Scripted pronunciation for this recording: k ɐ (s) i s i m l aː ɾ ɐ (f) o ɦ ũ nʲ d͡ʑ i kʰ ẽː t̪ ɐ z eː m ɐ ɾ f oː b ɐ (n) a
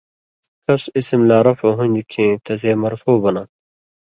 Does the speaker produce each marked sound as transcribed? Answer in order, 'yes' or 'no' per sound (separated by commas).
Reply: yes, yes, yes